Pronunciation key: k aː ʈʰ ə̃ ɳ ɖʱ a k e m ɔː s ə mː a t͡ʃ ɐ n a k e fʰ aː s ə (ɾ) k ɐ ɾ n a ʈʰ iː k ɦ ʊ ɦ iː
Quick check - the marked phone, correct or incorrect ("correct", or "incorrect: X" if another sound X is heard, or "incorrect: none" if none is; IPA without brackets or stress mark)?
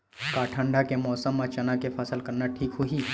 incorrect: l